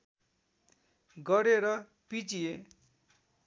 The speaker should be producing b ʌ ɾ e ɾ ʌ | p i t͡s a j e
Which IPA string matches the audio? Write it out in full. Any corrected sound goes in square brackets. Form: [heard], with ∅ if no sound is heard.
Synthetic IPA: [ɡ] ʌ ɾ e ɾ ʌ | p i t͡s [i] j e